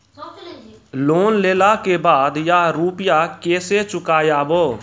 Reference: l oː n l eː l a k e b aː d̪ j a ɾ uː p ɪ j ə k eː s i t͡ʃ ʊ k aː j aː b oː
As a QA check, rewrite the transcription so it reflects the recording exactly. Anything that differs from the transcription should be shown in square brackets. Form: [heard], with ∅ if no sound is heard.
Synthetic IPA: l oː n l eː l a k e b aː d̪ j a ɾ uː p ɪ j [a] k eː s [e] t͡ʃ ʊ k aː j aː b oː